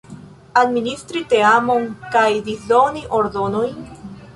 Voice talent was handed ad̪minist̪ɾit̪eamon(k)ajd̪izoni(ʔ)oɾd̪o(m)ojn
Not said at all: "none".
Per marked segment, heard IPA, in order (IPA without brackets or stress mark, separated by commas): k, ʔ, n